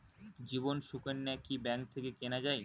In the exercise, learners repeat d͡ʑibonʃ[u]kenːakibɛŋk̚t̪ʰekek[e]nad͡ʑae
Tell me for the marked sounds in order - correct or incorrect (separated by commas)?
correct, correct